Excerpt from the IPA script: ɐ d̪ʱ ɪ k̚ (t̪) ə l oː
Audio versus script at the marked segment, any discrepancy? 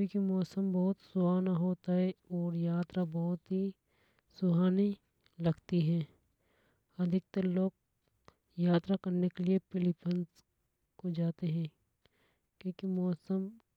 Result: no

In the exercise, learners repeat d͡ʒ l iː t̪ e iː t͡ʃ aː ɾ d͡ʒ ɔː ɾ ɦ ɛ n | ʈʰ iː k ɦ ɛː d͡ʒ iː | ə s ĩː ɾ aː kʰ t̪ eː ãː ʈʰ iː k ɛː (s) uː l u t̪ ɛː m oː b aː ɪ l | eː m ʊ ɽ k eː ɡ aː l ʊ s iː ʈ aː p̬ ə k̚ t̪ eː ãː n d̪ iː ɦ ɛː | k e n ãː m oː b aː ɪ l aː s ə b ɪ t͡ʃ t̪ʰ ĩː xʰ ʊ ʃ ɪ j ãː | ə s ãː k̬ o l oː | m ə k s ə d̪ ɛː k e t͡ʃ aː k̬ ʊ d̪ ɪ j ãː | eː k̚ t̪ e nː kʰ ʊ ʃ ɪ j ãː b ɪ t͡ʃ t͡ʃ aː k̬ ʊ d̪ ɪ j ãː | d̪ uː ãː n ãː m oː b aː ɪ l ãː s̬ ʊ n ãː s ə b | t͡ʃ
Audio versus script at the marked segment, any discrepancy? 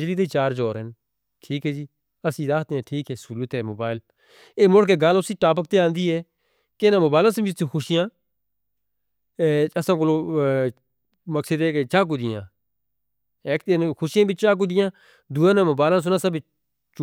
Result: no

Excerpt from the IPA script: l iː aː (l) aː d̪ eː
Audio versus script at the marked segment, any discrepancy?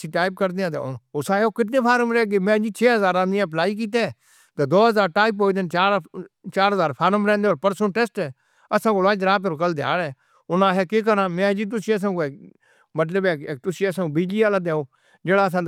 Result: no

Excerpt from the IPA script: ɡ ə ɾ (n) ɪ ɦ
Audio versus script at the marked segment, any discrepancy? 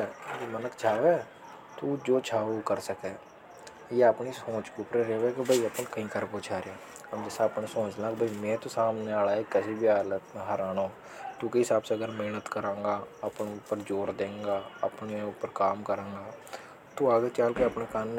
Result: yes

